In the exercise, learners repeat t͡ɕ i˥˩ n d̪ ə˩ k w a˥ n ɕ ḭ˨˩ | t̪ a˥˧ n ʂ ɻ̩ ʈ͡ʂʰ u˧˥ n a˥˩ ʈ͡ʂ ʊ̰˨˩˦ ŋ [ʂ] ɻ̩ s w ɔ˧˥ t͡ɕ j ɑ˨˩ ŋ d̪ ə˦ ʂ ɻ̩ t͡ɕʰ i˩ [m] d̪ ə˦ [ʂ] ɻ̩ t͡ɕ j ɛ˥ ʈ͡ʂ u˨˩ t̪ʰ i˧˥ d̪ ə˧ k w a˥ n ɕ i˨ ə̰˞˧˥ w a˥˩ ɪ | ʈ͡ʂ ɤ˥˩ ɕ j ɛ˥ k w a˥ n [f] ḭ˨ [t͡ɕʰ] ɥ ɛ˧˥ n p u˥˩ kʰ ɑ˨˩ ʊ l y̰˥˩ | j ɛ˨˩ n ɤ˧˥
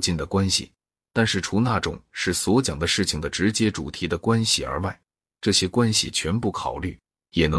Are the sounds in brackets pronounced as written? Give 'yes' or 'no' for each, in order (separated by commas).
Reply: yes, no, no, no, yes